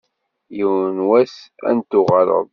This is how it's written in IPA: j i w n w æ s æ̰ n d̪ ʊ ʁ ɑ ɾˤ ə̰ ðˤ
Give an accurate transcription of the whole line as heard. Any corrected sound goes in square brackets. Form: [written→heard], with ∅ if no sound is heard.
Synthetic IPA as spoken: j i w n w æ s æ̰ n [d̪→t̪] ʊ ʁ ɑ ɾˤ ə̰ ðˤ